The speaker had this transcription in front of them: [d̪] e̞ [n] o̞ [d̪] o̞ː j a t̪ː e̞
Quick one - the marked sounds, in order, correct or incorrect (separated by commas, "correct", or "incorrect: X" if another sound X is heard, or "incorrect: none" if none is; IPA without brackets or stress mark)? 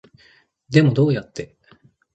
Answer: correct, incorrect: m, correct